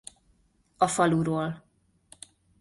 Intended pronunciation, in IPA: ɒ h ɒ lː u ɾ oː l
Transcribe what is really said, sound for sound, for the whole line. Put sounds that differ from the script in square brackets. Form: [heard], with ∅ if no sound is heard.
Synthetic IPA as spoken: ɒ [f] ɒ [l] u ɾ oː l

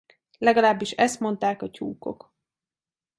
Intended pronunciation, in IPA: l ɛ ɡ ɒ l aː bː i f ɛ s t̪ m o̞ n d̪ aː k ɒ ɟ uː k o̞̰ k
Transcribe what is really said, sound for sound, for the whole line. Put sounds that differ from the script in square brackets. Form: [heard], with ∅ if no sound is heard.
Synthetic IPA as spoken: l ɛ ɡ ɒ l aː bː i [ʃ] ɛ s t̪ m o̞ n [t̪] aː k ɒ [c] uː k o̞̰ k

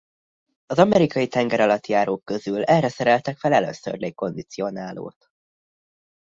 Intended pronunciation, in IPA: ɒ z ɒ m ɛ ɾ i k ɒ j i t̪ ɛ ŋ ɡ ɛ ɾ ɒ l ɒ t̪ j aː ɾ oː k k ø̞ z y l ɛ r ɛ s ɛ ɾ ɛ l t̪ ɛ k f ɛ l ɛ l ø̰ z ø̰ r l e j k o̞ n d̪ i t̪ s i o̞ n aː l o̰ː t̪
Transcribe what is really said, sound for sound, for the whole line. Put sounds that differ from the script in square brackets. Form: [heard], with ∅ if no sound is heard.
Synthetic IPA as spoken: ɒ z ɒ m ɛ ɾ i k ɒ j i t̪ ɛ ŋ ɡ ɛ ɾ ɒ l ɒ t̪ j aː ɾ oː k k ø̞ z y l ɛ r ɛ s ɛ ɾ ɛ l t̪ ɛ k f ɛ l ɛ l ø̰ [s] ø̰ r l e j k o̞ n d̪ i t̪ s i o̞ n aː l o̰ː t̪

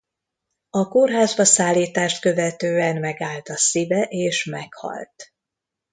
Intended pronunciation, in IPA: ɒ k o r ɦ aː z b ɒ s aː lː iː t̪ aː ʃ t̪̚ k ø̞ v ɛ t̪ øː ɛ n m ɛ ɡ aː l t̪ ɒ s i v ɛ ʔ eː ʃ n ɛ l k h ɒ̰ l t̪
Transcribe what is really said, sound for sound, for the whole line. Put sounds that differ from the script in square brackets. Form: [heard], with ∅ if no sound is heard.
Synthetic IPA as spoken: ɒ k o r ɦ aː z b ɒ s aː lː iː t̪ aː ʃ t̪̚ k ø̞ v ɛ t̪ øː ɛ n m ɛ ɡ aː l t̪ ɒ s i v ɛ ʔ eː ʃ [m] ɛ [∅] k h ɒ̰ l t̪

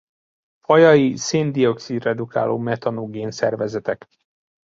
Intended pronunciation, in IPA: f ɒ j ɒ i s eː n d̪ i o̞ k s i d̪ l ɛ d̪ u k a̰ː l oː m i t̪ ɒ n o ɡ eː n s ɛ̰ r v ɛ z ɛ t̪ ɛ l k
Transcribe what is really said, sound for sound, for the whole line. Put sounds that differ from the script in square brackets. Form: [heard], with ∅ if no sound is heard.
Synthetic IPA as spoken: f ɒ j ɒ i s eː n d̪ i o̞ k s i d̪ [r] ɛ d̪ u k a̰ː l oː m [ɛ] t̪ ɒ n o ɡ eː n s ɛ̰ r v ɛ z ɛ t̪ ɛ [∅] k

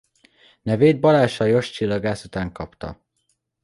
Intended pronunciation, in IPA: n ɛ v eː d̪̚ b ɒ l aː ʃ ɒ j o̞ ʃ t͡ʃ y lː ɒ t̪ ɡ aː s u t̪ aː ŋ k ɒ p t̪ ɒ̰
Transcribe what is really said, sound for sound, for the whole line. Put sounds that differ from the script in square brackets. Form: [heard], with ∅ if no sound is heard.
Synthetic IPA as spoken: n ɛ v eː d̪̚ b ɒ l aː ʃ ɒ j o̞ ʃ t͡ʃ [i] lː ɒ [∅] ɡ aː s u t̪ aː ŋ k ɒ p t̪ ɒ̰

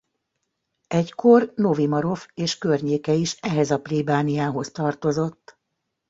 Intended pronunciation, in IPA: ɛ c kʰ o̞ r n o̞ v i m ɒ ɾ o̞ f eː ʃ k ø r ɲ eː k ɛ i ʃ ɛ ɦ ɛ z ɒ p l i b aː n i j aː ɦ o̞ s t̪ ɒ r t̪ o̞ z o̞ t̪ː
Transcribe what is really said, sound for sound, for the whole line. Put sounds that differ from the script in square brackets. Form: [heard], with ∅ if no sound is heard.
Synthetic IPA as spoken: ɛ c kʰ o̞ r n o̞ v i m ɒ ɾ o̞ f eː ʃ k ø r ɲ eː k ɛ i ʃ ɛ ɦ ɛ z ɒ p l i b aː n i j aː ɦ o̞ s t̪ ɒ r t̪ o̞ z o̞ t̪ː

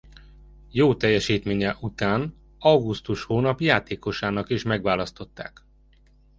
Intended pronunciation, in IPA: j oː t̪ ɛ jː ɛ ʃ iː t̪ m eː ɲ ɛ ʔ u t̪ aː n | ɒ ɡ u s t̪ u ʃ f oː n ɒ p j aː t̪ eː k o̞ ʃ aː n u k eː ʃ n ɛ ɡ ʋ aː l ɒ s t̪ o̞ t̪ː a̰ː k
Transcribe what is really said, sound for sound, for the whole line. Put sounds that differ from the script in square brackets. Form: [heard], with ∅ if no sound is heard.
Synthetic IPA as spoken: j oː t̪ ɛ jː ɛ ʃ iː t̪ m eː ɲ ɛ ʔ u t̪ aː n | ɒ ɡ u s t̪ u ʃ [h] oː n ɒ p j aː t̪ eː k o̞ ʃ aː n [ɒ] k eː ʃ [m] ɛ ɡ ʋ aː l ɒ s t̪ o̞ t̪ː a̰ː k

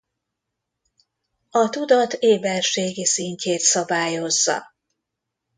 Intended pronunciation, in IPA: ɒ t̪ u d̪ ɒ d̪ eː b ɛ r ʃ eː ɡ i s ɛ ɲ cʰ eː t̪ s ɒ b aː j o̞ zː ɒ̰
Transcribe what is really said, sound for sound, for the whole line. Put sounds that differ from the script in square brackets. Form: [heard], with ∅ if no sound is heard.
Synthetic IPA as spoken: ɒ t̪ u d̪ ɒ [t̪] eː b ɛ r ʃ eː ɡ i s [i] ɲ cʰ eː t̪ s ɒ b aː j o̞ zː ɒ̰

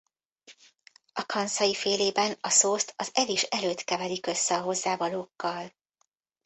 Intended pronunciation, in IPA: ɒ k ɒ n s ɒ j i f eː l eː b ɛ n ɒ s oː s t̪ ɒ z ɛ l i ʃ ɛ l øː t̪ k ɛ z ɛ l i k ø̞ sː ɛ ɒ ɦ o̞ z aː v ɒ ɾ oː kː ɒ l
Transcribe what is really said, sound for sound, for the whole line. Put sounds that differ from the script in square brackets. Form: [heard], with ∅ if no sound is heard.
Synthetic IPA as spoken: ɒ k ɒ n s ɒ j i f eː l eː b ɛ n ɒ s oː s t̪ ɒ z ɛ l i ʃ ɛ l øː t̪ k ɛ [v] ɛ l i k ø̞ sː ɛ ɒ ɦ o̞ [zː] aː v ɒ [l] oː kː ɒ l

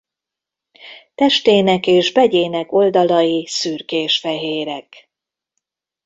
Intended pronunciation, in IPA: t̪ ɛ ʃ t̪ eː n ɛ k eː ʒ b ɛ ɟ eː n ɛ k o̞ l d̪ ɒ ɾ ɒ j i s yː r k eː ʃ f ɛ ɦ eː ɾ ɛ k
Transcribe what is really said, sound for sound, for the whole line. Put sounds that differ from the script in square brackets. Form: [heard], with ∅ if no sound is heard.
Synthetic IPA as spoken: t̪ ɛ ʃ t̪ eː n ɛ k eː ʒ b ɛ ɟ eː n ɛ k o̞ l d̪ ɒ [l] ɒ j i s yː r k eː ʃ f ɛ ɦ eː ɾ ɛ k

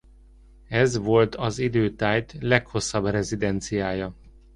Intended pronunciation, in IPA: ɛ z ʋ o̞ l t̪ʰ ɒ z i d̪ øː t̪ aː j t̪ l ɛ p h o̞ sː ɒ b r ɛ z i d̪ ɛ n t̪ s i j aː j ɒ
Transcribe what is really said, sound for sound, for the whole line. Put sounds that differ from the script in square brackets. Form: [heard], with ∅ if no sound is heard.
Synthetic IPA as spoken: ɛ z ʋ o̞ l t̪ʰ ɒ z i d̪ øː t̪ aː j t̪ l ɛ [k] h o̞ sː ɒ b r ɛ z i d̪ ɛ n t̪ s i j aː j ɒ

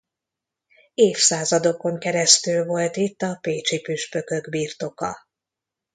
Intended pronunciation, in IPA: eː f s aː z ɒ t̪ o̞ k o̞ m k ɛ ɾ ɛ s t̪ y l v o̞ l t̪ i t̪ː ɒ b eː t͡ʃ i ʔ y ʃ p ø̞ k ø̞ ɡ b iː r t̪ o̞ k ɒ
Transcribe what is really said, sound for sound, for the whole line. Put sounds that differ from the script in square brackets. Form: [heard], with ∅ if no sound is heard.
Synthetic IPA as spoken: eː f s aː z ɒ [d̪] o̞ k o̞ [ŋ] k ɛ ɾ ɛ s t̪ y l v o̞ l t̪ i t̪ː ɒ [p] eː t͡ʃ i [p] y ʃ p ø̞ k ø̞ ɡ b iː r t̪ o̞ k ɒ

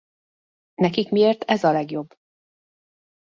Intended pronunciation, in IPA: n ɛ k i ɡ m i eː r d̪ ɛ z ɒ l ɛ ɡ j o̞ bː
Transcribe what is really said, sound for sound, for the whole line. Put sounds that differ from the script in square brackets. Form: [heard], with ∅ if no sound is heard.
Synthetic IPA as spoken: n ɛ k i [k] m i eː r [t̪] ɛ z ɒ l ɛ ɡ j o̞ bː

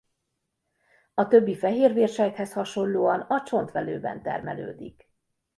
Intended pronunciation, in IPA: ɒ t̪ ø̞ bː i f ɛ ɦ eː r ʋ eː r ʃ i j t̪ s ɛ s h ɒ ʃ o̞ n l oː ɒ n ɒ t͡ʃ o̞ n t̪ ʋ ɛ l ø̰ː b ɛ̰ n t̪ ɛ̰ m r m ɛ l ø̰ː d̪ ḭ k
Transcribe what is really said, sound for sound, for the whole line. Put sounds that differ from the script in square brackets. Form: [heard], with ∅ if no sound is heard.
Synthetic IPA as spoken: ɒ t̪ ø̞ bː i f ɛ ɦ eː r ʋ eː r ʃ [ɛ] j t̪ [h] ɛ s h ɒ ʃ o̞ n l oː ɒ n ɒ t͡ʃ o̞ n t̪ ʋ ɛ l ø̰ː b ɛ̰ n t̪ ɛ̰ [∅] r m ɛ l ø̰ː d̪ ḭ k

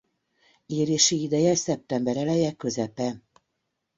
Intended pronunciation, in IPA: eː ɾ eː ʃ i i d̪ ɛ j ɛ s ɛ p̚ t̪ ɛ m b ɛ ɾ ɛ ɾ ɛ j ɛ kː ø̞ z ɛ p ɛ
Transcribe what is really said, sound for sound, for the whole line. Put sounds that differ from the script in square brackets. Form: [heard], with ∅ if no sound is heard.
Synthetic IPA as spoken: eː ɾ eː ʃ i i d̪ ɛ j ɛ s ɛ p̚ t̪ ɛ m b ɛ ɾ ɛ [l] ɛ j ɛ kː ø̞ z ɛ p ɛ

